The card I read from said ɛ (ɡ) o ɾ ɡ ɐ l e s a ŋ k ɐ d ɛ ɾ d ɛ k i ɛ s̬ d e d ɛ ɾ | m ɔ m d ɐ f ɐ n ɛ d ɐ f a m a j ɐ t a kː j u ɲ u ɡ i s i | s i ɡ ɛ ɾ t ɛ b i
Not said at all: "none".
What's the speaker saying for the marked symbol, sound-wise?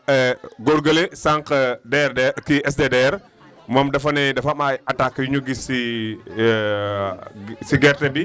ɡ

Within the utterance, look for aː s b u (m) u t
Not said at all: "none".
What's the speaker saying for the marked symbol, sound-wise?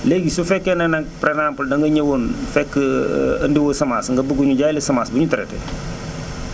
ɲ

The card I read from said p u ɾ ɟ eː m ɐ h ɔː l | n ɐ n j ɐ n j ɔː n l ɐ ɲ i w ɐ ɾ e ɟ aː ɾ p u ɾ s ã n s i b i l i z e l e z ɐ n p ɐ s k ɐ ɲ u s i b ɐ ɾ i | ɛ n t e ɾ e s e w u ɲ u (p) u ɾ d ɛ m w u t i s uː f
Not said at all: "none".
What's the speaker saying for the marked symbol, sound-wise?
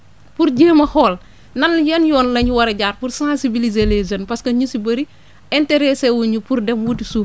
p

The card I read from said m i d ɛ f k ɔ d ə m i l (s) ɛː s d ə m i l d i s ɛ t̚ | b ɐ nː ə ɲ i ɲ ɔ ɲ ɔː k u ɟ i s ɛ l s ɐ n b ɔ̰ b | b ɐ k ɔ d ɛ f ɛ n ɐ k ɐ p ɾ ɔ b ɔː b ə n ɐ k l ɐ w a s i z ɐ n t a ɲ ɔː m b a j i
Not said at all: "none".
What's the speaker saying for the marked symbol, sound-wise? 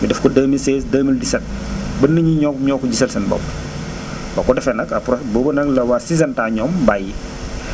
s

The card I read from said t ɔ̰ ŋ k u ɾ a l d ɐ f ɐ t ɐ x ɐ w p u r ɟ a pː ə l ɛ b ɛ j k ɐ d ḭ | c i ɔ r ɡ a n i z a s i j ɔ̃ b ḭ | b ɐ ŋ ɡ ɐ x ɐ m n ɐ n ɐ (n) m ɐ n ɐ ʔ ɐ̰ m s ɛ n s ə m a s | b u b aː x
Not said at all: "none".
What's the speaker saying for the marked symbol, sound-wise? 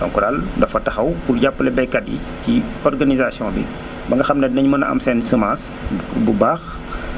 ɲ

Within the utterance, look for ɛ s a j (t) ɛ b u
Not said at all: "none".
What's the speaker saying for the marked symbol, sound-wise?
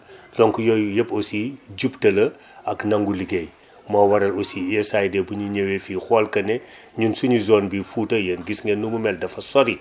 d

